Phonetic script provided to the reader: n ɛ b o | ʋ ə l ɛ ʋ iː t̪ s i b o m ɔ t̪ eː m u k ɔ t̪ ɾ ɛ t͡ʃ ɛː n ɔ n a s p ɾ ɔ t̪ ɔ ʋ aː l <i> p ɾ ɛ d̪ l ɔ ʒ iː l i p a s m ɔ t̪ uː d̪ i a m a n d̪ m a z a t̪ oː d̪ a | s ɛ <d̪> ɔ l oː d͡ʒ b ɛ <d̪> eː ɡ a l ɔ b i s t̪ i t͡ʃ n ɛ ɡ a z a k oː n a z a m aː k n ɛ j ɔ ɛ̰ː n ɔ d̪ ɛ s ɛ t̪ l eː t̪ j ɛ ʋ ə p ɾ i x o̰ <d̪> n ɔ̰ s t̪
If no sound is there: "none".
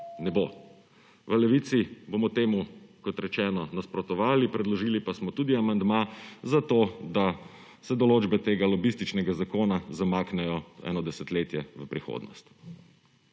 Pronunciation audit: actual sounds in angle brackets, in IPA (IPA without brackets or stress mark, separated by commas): i, d̪, t̪, d̪